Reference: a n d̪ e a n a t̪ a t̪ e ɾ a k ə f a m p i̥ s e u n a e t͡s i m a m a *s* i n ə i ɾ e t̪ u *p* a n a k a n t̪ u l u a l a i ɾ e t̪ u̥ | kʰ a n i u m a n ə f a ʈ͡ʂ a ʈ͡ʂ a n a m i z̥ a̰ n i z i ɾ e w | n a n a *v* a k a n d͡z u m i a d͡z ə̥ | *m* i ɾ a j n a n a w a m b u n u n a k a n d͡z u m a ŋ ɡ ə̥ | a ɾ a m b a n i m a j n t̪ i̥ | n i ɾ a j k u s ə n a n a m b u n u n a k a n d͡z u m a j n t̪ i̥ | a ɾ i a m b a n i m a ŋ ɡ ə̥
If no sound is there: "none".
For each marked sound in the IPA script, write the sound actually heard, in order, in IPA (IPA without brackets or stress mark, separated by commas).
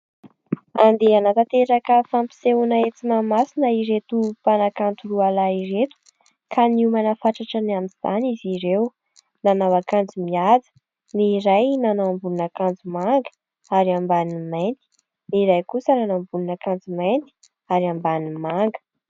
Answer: s, p, w, n